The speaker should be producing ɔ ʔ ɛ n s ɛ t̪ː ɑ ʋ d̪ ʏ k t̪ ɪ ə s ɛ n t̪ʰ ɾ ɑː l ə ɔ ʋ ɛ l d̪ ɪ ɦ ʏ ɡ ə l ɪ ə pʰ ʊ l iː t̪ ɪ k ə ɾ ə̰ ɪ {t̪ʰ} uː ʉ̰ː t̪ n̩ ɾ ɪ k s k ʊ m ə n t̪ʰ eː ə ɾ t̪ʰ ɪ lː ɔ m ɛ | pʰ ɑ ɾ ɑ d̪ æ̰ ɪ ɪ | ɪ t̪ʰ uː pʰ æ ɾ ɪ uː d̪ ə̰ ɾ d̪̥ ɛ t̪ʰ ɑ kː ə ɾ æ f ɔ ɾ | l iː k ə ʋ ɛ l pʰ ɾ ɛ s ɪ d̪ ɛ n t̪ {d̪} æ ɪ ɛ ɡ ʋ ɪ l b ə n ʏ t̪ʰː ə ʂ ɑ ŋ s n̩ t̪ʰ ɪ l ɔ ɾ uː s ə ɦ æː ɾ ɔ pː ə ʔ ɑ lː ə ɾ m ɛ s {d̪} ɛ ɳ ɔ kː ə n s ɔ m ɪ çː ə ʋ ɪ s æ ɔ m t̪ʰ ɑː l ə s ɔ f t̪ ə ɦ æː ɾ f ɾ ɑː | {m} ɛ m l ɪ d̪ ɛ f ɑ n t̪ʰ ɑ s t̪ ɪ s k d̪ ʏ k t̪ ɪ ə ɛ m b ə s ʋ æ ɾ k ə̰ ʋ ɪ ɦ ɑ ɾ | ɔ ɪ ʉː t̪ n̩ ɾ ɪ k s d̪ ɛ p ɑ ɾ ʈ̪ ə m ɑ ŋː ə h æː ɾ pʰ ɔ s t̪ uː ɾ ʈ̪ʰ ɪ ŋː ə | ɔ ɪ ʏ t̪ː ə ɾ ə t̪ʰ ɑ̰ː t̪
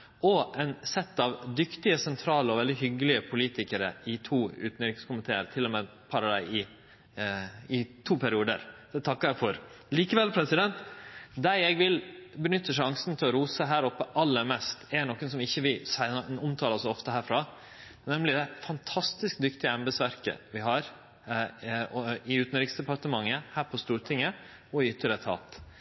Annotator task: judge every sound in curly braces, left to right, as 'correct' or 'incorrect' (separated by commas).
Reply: correct, correct, incorrect, incorrect